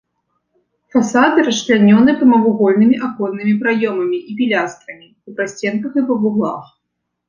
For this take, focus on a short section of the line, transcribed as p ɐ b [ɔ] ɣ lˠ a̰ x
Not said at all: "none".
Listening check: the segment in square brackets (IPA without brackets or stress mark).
u